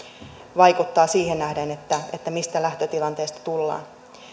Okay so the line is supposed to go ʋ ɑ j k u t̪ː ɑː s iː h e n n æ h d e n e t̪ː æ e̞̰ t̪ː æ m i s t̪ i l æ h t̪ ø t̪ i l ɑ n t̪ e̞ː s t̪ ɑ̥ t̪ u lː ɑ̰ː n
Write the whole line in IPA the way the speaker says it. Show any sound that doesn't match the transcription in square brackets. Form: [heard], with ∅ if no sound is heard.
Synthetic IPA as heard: ʋ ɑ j k u t̪ː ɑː s iː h e n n æ h d e n e t̪ː æ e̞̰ t̪ː æ m i s t̪ [æ] l æ h t̪ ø t̪ i l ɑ n t̪ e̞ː s t̪ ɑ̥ t̪ u lː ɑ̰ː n